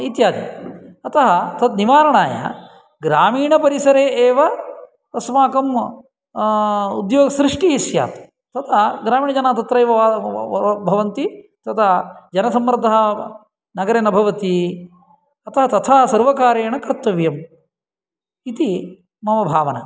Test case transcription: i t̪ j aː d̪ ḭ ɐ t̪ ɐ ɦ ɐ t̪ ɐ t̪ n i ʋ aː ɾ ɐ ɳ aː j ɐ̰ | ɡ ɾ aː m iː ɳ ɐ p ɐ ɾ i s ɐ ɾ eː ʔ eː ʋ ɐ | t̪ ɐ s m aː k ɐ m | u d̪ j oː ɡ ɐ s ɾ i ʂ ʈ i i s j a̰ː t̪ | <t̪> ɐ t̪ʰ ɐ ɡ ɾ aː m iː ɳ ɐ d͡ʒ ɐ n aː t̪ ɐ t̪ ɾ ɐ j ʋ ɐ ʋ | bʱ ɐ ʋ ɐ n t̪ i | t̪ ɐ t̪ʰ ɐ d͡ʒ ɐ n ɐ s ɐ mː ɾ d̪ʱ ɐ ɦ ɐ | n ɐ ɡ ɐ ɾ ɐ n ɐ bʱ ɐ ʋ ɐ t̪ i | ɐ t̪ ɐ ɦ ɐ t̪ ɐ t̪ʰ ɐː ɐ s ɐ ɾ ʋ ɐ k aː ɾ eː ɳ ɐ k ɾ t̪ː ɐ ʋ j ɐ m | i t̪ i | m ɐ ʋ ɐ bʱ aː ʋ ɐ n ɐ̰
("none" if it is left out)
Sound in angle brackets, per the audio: t̪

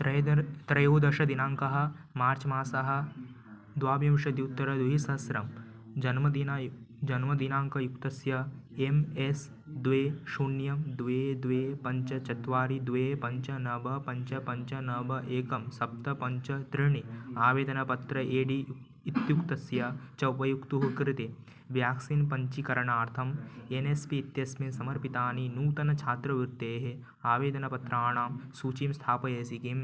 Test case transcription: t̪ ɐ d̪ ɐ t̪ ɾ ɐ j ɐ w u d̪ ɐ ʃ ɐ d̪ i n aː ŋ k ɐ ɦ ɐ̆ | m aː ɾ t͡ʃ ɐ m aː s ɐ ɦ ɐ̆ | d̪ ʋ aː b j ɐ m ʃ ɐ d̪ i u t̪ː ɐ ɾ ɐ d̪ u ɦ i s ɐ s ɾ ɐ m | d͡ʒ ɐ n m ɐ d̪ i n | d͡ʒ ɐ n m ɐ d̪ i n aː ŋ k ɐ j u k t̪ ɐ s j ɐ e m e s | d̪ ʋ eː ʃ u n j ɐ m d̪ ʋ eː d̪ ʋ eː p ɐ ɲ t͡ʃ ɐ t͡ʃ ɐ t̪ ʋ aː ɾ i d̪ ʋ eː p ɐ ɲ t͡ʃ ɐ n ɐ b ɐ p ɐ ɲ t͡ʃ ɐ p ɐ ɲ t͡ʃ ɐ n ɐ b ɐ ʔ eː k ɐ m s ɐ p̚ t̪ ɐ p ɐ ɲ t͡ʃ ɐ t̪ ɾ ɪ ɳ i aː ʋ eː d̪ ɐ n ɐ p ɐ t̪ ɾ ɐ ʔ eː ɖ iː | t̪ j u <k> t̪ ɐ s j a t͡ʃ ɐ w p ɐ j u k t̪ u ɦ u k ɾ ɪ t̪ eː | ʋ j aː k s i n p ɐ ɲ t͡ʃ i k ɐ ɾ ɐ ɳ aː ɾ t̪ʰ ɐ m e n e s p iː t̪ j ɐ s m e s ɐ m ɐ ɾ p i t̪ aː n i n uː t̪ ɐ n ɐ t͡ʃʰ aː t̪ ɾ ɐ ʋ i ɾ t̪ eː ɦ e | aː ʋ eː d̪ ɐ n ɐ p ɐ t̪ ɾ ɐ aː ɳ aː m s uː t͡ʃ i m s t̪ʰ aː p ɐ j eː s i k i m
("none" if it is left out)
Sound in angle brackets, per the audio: k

